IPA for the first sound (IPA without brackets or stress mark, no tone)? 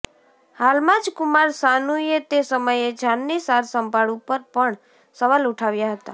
h